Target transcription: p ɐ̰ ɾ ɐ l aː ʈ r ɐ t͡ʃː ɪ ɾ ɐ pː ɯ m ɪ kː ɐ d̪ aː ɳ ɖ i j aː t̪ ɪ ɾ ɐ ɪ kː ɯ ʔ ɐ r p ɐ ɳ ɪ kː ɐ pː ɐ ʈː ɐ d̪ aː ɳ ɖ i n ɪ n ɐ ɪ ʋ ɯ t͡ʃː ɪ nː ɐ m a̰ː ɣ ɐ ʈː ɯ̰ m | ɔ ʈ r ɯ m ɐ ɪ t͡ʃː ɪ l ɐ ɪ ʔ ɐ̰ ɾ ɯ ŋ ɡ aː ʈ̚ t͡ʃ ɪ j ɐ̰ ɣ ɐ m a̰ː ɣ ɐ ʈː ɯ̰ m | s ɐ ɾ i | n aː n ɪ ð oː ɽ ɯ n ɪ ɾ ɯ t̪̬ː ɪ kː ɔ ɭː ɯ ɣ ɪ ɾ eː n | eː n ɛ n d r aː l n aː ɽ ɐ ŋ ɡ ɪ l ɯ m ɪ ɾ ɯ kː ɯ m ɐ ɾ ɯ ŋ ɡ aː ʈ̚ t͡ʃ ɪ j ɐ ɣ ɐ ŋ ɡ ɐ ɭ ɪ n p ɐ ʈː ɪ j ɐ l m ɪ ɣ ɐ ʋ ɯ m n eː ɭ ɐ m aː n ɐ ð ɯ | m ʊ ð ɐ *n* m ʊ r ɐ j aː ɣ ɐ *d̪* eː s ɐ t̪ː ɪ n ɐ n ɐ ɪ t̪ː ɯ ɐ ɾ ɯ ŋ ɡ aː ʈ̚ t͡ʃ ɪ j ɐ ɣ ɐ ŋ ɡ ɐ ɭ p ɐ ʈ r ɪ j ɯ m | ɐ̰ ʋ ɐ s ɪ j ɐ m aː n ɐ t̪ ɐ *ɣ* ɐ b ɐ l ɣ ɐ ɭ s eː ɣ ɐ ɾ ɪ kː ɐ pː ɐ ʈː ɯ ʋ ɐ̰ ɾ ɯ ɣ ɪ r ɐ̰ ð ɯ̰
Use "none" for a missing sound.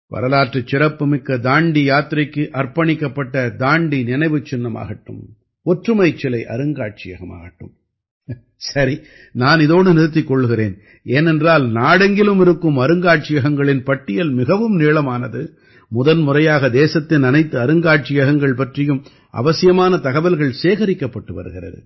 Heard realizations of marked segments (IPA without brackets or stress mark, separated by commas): n, d̪, ɣ